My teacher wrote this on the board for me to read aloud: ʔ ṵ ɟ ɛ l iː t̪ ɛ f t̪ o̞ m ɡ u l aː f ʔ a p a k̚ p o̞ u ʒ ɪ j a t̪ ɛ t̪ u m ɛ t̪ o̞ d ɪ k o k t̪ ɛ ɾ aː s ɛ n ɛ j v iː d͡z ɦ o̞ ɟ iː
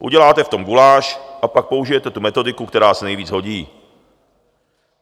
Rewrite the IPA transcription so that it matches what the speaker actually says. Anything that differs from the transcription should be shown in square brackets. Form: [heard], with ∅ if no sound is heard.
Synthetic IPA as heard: ʔ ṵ ɟ ɛ l [aː] t̪ ɛ f t̪ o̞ m ɡ u l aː [ʃ] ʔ a p a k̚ p o̞ u ʒ ɪ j [ɛ] t̪ ɛ t̪ u m ɛ t̪ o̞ d ɪ k [u] k t̪ ɛ ɾ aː s ɛ n ɛ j v iː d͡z ɦ o̞ ɟ iː